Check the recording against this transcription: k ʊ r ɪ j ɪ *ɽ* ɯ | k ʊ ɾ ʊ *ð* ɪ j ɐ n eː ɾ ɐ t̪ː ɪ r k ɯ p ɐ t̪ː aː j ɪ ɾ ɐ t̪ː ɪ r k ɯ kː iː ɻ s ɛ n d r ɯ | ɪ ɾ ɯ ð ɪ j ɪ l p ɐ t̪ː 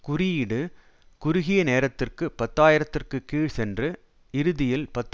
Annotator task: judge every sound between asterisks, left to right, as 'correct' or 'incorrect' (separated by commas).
correct, incorrect